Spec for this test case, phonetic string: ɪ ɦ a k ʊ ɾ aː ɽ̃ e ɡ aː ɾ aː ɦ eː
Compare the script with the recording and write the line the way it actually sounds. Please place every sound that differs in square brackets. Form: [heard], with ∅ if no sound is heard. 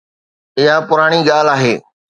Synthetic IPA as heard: ɪ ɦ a [p] ʊ ɾ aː ɽ̃ [i] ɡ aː [l] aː ɦ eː